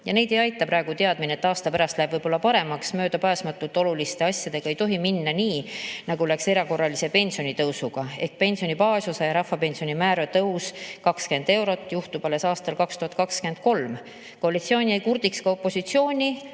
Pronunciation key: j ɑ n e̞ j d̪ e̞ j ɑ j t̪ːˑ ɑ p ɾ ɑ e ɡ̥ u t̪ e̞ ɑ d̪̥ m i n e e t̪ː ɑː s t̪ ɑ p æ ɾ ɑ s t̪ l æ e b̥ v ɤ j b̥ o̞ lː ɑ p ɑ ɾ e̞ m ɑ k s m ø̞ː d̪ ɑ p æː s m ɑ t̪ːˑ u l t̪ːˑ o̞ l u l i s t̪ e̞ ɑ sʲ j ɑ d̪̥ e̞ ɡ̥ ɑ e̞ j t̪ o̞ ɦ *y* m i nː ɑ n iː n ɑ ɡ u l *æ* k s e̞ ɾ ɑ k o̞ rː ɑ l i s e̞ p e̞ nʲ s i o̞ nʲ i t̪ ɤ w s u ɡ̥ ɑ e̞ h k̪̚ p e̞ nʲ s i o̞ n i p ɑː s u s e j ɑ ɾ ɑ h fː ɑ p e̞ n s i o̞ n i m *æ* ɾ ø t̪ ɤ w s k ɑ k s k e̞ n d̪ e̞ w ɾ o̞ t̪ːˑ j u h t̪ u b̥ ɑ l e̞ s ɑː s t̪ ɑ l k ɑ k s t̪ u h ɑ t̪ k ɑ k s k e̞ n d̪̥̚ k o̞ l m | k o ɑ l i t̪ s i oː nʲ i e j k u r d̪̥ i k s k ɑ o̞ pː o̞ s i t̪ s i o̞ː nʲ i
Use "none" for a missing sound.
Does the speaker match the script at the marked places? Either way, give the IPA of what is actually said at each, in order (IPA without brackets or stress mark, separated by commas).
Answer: i, æ, æː